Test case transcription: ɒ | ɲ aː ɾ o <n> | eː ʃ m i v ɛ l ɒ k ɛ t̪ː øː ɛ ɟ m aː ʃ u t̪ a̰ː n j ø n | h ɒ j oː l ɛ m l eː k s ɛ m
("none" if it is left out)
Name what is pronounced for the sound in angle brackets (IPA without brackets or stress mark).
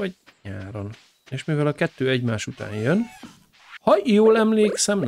n